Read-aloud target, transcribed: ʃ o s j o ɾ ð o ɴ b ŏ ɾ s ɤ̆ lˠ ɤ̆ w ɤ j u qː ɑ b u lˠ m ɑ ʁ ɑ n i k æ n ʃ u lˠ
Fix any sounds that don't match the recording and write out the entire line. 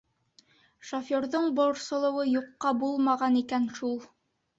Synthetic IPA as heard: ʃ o f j o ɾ ð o ɴ b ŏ ɾ s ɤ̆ lˠ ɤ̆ w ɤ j u qː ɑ b u lˠ m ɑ ʁ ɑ n i k æ n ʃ u lˠ